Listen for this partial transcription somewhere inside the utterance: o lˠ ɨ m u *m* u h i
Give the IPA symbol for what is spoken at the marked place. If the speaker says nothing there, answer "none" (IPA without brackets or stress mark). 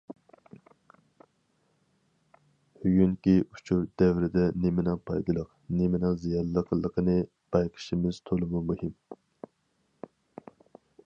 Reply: m